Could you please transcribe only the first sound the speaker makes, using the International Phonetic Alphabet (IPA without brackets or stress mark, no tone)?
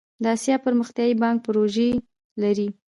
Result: d̪